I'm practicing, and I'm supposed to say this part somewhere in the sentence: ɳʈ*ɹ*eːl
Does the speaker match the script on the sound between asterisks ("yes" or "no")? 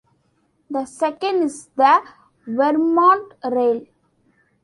no